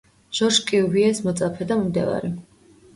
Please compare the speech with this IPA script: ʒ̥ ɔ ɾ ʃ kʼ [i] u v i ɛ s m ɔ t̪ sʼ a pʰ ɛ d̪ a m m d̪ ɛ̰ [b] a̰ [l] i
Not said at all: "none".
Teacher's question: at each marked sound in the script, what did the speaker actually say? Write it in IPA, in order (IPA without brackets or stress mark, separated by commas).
i, v, ɾ